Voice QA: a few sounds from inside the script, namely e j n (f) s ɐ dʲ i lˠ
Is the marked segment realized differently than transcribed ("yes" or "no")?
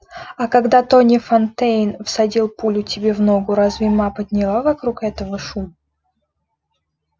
no